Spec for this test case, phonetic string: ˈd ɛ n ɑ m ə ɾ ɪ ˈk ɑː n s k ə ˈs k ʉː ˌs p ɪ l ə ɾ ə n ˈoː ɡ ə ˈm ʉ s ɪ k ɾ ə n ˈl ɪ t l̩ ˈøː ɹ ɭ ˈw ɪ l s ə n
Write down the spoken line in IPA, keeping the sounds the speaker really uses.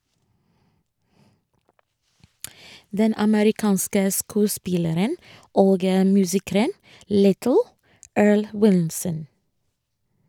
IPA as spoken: ˈd ɛ n ɑ m ə ɾ ɪ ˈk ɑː n s k ə ˈs k ʉː ˌs p ɪ l ə ɾ ə n ˈoː ɡ ə ˈm ʉː s ɪ k ɾ ə n ˈl ɪ t l̩ ˈøː ɹ ɭ ˈw ɪ l s ə n